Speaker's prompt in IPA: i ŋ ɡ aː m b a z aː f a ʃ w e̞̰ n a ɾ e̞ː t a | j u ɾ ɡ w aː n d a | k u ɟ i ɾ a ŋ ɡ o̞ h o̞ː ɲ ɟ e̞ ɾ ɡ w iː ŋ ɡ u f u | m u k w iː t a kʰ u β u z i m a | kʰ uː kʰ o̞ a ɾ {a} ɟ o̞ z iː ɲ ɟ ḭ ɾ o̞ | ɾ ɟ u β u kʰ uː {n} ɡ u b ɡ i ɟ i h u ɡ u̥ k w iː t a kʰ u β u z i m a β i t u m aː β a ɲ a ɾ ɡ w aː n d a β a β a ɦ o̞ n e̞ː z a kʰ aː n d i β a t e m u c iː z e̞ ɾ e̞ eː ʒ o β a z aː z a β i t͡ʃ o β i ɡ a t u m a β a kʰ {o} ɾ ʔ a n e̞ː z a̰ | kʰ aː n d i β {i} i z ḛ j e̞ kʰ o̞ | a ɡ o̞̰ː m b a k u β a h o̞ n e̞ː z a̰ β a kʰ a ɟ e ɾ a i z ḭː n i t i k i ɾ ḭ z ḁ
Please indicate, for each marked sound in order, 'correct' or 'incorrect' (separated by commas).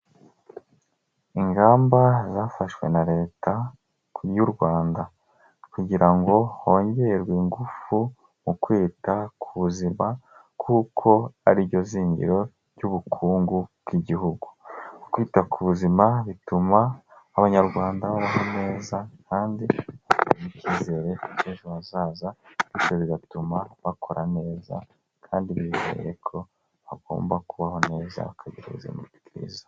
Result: incorrect, incorrect, correct, correct